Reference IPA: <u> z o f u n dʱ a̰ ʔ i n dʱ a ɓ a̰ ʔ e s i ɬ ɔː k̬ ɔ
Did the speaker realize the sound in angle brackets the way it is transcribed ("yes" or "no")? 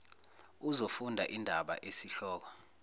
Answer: yes